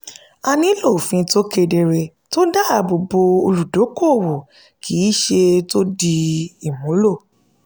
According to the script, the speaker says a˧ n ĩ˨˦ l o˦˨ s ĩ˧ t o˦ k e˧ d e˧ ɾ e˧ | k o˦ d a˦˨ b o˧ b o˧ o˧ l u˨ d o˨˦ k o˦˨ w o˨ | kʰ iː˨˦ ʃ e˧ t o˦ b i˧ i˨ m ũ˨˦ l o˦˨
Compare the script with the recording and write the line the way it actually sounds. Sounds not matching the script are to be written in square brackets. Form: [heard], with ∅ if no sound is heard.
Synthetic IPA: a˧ n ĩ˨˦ l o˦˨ [f] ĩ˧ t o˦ k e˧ d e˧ ɾ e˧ | [t] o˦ d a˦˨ b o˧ b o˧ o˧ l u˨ d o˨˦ k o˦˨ w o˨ | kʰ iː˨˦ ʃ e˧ t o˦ [d] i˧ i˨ m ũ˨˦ l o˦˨

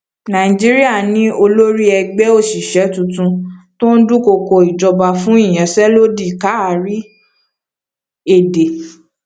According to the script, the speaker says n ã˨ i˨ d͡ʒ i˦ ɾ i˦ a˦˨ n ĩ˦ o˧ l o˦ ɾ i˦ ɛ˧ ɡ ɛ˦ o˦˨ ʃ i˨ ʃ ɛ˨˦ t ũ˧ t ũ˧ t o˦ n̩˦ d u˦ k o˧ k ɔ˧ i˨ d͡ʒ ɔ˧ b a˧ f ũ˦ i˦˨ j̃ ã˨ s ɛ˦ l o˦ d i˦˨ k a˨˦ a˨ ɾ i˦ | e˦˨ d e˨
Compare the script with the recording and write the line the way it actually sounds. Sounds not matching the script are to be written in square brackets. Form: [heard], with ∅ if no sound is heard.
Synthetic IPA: n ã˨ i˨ d͡ʒ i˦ ɾ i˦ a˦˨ n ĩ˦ o˧ l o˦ ɾ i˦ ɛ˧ [ɡ͡b] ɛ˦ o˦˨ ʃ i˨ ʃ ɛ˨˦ t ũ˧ t ũ˧ t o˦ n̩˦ d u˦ k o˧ k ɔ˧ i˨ d͡ʒ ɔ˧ b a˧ f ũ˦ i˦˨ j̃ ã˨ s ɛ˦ l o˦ d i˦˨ k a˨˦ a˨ ɾ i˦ | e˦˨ d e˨

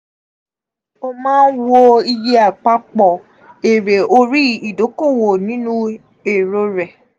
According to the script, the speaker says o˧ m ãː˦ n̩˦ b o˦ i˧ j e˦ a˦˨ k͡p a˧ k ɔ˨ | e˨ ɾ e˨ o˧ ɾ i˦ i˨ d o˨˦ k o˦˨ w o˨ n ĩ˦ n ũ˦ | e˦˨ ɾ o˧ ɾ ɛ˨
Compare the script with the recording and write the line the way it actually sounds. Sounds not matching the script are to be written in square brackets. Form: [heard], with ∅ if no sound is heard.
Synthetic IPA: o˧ m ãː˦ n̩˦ [w] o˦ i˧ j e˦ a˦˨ k͡p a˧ [k͡p] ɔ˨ | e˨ ɾ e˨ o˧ ɾ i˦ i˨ d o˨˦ k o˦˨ w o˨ n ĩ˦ n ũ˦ | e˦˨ ɾ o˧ ɾ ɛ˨

